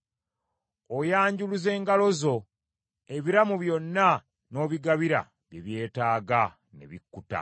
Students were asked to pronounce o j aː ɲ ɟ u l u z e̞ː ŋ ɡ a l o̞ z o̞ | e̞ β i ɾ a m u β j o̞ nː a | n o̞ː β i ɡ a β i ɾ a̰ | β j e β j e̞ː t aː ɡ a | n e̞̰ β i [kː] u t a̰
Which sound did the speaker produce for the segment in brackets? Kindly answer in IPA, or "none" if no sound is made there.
kː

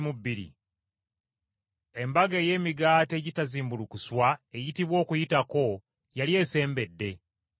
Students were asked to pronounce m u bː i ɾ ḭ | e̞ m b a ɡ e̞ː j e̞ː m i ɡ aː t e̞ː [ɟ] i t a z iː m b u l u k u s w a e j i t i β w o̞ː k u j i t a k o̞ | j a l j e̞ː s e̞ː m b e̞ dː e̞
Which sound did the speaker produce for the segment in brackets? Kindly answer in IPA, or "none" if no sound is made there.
ɟ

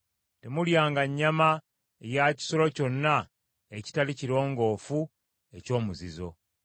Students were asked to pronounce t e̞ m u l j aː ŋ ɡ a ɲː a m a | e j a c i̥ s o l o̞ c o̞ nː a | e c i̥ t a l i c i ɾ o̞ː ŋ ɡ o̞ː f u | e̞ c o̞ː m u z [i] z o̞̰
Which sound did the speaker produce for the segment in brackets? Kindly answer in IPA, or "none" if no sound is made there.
i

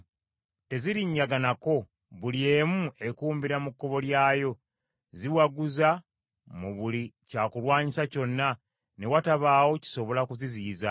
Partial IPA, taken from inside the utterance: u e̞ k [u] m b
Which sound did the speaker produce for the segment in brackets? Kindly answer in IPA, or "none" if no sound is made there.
uː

